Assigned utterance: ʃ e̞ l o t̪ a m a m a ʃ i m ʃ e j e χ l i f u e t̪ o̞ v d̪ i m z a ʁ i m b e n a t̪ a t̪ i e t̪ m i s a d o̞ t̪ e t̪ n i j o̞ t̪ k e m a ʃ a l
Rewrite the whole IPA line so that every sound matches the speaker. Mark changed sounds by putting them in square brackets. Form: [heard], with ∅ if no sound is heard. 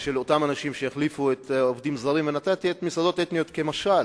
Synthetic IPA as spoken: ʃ e̞ l o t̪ a m a [n] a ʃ i m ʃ e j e χ l i f u e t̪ o̞ v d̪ i m z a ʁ i m [v] e n a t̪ a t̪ i e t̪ m i s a d o̞ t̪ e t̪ n i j o̞ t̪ k e m a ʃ a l